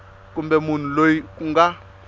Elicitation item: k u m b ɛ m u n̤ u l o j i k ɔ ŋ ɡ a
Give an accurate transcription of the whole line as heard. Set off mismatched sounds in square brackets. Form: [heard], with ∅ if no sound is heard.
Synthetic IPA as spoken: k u m b ɛ m u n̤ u l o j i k [u] ŋ ɡ a